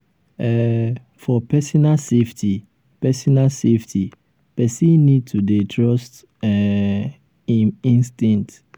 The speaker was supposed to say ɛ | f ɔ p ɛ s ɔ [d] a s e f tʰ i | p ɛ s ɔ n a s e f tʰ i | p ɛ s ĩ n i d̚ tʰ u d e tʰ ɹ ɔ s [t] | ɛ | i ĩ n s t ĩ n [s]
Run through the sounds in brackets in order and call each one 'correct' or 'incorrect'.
incorrect: n, correct, incorrect: t

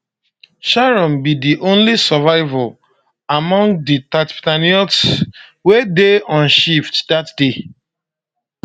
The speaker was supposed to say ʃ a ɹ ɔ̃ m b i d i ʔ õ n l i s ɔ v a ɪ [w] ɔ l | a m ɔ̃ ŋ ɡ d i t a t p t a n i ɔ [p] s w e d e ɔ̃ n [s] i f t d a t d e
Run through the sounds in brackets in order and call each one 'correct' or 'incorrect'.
incorrect: v, incorrect: t, incorrect: ʃ

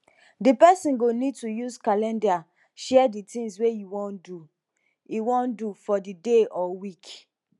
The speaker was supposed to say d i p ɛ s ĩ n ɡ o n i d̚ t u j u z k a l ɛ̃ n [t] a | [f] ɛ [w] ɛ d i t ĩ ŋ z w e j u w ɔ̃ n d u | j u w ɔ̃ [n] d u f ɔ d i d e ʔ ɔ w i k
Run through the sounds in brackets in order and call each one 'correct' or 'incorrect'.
incorrect: d, incorrect: ʃ, incorrect: none, correct

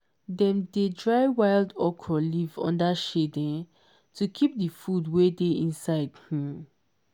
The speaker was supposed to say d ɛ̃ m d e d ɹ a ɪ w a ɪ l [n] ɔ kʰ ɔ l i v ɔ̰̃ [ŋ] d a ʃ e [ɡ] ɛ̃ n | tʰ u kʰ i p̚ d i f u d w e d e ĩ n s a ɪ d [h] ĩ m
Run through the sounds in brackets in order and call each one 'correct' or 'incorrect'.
incorrect: d, incorrect: n, incorrect: d, correct

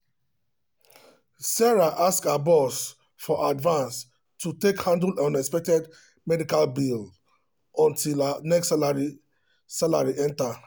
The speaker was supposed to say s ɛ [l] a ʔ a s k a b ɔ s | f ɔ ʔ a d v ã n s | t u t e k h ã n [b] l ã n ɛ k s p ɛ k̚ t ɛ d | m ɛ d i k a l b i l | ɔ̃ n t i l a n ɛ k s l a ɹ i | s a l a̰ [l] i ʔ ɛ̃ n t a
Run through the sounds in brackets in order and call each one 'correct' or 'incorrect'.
incorrect: ɹ, incorrect: d, incorrect: ɹ

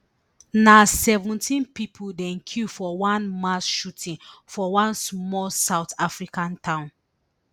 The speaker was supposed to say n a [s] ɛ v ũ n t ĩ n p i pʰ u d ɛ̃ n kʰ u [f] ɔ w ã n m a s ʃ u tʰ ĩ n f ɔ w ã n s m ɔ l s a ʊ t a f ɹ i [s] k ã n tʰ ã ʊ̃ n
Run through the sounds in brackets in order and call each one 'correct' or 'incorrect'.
correct, correct, incorrect: none

